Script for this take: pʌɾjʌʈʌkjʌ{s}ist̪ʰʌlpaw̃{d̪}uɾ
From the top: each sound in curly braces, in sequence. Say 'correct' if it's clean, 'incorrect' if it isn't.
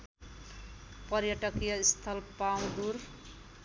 incorrect, correct

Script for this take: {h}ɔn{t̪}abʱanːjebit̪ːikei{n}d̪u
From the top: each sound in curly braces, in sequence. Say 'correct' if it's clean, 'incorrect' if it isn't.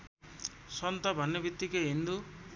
incorrect, correct, correct

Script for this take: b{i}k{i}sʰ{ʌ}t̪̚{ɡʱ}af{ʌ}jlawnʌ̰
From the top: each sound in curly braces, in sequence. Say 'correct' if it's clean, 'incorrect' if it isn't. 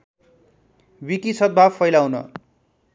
correct, correct, correct, incorrect, correct

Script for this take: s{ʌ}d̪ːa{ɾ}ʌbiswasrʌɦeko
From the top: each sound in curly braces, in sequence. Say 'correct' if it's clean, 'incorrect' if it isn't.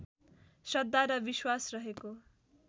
correct, correct

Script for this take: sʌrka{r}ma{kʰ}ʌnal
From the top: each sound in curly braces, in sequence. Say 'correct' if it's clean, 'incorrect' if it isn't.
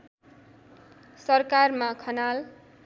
correct, correct

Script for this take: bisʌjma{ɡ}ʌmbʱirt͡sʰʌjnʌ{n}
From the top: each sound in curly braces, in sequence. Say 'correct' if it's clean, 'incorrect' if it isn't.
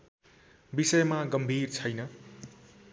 correct, incorrect

